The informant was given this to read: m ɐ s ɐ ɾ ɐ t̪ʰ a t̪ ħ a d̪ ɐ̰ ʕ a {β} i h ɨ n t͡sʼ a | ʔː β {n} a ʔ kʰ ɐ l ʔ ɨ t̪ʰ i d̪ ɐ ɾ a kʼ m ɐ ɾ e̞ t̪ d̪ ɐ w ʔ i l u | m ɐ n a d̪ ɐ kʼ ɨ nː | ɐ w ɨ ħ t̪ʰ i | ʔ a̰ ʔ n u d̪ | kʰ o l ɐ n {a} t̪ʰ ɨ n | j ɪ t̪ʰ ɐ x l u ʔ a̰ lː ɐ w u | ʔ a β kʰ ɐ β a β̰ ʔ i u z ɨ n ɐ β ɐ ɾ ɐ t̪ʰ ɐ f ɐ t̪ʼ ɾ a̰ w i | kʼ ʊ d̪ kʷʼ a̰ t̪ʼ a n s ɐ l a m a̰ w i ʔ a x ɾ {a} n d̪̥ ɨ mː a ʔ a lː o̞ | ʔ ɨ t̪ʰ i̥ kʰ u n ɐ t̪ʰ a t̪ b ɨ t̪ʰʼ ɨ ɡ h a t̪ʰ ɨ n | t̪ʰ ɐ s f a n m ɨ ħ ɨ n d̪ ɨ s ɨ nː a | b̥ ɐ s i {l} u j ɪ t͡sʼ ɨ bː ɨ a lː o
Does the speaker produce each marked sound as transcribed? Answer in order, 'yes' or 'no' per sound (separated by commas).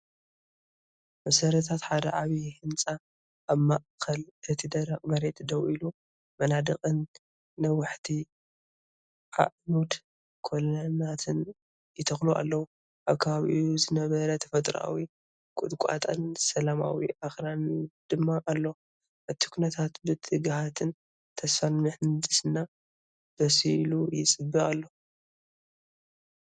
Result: yes, no, yes, yes, yes